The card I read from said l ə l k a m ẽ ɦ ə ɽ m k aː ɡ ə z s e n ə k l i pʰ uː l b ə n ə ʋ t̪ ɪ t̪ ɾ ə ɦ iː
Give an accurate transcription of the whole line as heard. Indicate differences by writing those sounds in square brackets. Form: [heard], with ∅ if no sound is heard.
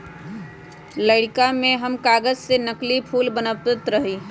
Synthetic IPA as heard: l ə [ɽ] k a m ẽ ɦ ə [∅] m k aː ɡ ə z s e n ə k l i pʰ uː l b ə n ə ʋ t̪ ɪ t̪ ɾ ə ɦ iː